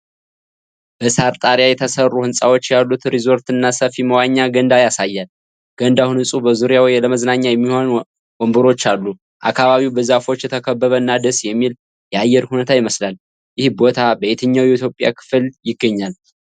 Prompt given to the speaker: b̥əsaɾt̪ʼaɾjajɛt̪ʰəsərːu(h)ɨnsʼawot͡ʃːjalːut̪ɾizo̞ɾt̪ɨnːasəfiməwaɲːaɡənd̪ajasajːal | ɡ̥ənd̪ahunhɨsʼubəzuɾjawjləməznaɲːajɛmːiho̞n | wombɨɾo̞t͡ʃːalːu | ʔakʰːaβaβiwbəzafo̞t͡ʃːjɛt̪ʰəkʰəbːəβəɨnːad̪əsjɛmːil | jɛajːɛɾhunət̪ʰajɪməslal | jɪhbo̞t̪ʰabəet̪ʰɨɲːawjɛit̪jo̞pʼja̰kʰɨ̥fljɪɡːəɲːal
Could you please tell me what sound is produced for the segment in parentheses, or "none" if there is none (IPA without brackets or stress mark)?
h